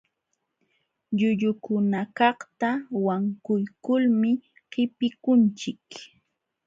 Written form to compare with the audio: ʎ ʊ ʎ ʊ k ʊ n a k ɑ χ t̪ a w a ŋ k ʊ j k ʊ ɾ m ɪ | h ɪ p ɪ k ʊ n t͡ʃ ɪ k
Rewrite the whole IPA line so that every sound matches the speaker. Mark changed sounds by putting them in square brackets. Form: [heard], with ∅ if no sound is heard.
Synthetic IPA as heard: ʎ ʊ ʎ ʊ k ʊ n a k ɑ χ t̪ a w a ŋ k ʊ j k ʊ [l] m ɪ | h ɪ p ɪ k ʊ n t͡ʃ ɪ k